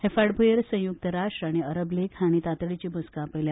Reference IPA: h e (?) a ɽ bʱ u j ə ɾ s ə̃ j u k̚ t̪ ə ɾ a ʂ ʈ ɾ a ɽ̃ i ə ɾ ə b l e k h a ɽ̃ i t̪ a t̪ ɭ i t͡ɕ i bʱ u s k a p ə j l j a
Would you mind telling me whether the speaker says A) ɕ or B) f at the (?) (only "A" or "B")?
B